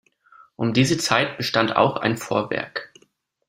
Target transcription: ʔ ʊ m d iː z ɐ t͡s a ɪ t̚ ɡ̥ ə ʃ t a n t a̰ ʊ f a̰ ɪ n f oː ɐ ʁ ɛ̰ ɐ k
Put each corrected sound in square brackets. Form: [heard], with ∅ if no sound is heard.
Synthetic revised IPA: ʔ ʊ m d iː z [ə] t͡s a ɪ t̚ [b̥] ə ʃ t a n t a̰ ʊ [x] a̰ ɪ n f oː ɐ [v] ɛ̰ ɐ k